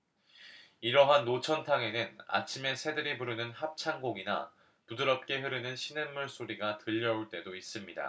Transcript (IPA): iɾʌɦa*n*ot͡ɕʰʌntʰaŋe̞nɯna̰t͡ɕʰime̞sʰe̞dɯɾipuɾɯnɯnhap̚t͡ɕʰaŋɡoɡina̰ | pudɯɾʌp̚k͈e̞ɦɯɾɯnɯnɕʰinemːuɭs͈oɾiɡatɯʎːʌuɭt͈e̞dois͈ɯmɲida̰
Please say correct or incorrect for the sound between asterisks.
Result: incorrect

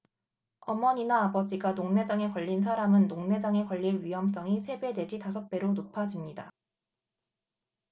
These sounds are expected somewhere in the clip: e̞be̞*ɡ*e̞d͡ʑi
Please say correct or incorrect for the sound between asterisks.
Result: incorrect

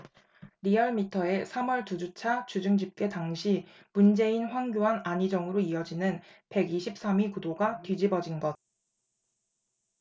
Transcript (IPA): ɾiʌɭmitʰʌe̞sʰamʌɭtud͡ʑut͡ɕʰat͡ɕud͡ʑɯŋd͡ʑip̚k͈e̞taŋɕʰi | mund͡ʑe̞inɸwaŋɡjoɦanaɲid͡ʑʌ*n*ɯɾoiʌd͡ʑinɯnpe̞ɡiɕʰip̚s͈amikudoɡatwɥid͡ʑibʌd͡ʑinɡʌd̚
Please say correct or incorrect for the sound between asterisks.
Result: incorrect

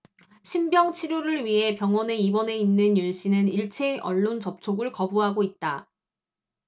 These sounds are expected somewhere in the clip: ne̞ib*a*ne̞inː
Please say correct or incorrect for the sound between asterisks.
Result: incorrect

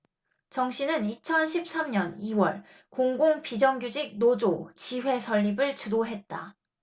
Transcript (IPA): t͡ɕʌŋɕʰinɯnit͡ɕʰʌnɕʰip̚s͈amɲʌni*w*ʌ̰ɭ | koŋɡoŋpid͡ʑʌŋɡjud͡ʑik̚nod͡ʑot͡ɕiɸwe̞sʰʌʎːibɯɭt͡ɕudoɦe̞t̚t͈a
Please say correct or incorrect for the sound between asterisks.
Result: correct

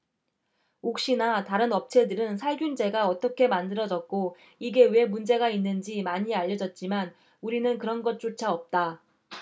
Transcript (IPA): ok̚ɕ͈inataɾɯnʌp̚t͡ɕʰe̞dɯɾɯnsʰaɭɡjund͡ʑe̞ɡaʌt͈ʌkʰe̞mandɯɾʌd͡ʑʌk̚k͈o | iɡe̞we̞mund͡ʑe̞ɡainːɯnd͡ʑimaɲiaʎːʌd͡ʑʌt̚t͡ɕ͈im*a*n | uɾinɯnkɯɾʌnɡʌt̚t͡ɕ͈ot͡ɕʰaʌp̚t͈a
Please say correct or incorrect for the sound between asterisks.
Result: correct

